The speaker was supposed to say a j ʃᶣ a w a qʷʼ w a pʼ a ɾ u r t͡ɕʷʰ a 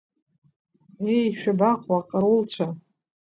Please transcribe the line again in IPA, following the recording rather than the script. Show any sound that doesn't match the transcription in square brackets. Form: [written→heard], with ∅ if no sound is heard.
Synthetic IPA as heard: [a→e] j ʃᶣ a [w→b] a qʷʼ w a [pʼ→qʼ] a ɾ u [r→l] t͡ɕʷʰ a